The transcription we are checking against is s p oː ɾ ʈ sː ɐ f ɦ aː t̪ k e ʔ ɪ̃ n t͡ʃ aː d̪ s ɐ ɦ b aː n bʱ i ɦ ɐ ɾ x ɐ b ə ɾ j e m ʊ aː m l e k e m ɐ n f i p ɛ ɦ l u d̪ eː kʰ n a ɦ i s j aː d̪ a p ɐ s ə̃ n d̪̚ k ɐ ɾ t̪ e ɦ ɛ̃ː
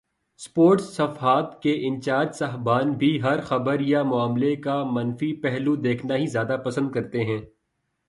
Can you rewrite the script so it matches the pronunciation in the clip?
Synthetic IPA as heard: s p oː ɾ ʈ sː ɐ f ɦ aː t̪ k e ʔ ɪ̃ n t͡ʃ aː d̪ s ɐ ɦ b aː n bʱ i ɦ ɐ ɾ x ɐ b ə ɾ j a m ʊ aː m l e k a m ɐ n f i p ɛ ɦ l u d̪ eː kʰ n a ɦ i z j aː d̪ a p ɐ s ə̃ n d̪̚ k ɐ ɾ t̪ e ɦ ɛ̃ː